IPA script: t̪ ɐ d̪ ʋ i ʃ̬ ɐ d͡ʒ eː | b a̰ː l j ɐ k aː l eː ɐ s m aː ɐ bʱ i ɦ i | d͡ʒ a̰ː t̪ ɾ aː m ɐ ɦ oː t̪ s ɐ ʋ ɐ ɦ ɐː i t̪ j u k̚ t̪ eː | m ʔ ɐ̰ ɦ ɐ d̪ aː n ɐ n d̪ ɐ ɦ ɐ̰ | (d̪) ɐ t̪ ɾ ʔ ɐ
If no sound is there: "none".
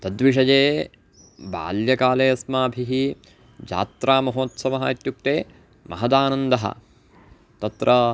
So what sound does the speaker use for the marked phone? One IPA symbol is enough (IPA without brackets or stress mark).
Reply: t̪